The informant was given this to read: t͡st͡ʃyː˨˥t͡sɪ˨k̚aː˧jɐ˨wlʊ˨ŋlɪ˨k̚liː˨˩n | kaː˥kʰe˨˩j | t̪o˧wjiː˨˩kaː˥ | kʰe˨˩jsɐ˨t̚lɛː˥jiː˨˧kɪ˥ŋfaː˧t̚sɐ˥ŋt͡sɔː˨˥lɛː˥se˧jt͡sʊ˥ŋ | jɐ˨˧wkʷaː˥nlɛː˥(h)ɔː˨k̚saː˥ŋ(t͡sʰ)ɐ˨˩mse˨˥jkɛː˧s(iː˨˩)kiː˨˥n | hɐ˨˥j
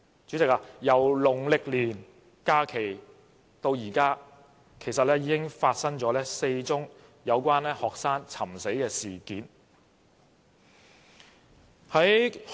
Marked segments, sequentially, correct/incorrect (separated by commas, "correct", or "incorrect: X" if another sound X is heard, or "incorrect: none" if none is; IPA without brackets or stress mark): correct, correct, correct